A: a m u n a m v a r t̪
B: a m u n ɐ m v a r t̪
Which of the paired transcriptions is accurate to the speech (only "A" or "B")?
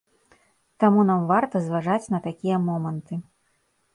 A